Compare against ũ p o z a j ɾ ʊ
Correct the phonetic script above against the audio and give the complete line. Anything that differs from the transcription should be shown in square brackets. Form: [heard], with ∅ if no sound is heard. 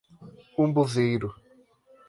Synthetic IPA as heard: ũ [b] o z [e] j ɾ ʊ